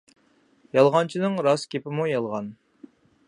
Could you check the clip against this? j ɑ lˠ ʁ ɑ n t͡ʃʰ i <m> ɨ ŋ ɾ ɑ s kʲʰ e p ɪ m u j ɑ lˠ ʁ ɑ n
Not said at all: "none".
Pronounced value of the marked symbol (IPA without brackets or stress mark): n